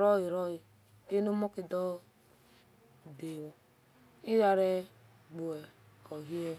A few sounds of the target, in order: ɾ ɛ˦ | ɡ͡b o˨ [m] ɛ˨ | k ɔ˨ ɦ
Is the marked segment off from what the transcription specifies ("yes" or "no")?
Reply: yes